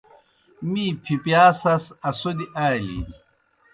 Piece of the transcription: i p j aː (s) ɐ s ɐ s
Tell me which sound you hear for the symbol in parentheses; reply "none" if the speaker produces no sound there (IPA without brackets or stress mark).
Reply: s